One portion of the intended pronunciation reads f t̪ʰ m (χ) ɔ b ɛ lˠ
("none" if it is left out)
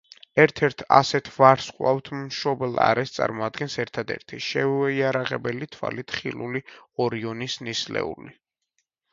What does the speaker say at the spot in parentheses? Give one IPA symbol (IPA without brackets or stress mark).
ʃ